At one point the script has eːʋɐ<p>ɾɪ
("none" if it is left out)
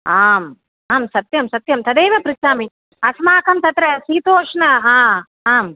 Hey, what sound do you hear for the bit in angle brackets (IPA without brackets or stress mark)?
p